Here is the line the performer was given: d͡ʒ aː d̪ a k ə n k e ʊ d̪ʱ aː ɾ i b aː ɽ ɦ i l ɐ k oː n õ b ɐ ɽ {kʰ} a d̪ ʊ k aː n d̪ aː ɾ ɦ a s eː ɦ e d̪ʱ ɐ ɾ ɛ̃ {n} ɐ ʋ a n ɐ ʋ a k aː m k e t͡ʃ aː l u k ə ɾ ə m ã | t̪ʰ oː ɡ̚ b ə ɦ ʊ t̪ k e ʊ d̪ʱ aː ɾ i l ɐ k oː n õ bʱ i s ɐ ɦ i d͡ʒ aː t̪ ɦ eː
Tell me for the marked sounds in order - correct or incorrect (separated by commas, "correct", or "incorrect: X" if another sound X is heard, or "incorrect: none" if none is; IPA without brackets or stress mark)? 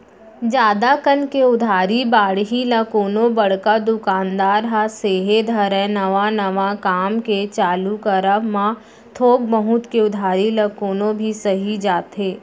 incorrect: k, correct